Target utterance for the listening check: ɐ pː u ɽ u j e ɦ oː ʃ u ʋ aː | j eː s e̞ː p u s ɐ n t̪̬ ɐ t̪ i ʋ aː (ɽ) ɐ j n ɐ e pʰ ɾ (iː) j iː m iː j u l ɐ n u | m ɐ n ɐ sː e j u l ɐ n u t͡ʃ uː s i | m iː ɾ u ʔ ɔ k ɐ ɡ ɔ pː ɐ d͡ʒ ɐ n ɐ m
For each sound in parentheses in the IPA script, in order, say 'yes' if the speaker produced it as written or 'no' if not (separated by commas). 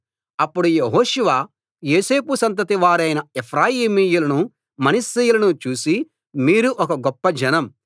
no, no